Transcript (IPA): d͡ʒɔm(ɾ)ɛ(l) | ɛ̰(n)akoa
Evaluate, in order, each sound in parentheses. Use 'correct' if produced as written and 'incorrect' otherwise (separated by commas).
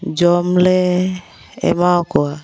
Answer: incorrect, incorrect, incorrect